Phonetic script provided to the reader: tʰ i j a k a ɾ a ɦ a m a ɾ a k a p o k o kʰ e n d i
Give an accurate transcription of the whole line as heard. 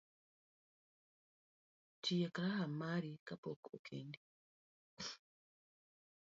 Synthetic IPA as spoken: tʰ i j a k a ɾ a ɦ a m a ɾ i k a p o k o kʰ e n d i